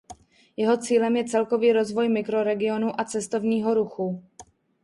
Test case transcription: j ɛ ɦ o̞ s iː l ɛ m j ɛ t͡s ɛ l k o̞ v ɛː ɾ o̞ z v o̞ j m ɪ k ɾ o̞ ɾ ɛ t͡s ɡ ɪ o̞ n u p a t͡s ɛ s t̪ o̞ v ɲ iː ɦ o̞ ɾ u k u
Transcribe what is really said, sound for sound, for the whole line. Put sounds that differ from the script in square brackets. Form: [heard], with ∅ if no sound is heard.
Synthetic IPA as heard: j ɛ ɦ o̞ [t͡s] iː l ɛ m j ɛ t͡s ɛ l k o̞ v [iː] ɾ o̞ z v o̞ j m ɪ k ɾ o̞ ɾ ɛ [∅] ɡ ɪ o̞ n u [ʔ] a t͡s ɛ s t̪ o̞ v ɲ iː ɦ o̞ ɾ u [x] u